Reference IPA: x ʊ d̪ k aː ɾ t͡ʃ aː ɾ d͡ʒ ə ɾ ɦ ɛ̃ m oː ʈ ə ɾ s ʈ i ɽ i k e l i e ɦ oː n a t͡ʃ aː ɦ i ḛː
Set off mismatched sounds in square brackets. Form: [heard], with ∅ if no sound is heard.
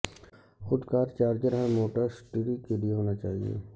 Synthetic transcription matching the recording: x ʊ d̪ k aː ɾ t͡ʃ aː ɾ d͡ʒ ə ɾ ɦ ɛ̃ m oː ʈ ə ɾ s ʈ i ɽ i k e l i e ɦ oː n a t͡ʃ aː ɦ i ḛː